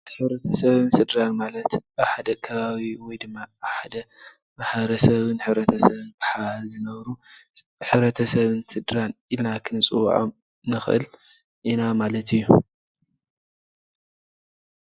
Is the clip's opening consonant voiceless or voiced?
voiceless